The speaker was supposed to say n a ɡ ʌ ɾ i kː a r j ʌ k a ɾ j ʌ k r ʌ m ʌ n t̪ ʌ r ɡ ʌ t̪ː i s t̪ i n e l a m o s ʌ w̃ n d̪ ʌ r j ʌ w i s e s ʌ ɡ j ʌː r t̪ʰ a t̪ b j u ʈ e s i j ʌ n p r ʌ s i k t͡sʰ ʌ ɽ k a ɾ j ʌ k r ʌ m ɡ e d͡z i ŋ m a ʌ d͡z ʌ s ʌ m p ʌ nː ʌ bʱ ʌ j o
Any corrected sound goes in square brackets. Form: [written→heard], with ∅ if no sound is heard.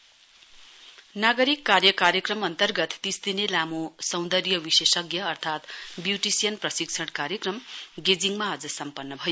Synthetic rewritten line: n a ɡ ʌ ɾ i kː a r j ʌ k a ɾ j ʌ k r ʌ m ʌ n t̪ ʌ r ɡ ʌ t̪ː i s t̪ i n e l a m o s ʌ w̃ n d̪ ʌ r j ʌ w i s e s ʌ ɡ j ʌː r t̪ʰ a t̪ b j u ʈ [e→i] s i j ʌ n p r ʌ s i k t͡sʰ ʌ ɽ k a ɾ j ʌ k r ʌ m ɡ e d͡z i ŋ m a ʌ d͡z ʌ s ʌ m p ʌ nː ʌ bʱ ʌ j o